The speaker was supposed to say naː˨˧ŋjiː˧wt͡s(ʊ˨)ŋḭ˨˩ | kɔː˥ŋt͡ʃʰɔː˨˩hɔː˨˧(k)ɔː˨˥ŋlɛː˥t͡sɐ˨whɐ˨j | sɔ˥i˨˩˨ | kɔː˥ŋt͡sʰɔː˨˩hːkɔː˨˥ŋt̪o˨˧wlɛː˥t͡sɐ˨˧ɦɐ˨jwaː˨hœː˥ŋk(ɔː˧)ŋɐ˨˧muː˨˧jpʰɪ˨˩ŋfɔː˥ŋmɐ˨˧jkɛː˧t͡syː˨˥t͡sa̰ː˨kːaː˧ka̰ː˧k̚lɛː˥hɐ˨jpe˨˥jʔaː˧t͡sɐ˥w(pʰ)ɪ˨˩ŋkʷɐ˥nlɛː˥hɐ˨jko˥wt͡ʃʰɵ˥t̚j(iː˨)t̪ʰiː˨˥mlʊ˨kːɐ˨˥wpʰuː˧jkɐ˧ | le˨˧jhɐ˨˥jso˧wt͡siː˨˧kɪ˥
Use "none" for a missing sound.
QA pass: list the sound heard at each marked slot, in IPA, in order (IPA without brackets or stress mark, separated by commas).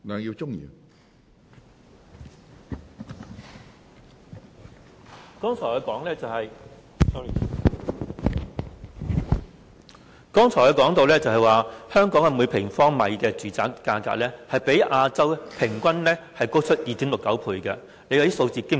ʊ˥, k, ɔː˨˥, pʰ, iː˨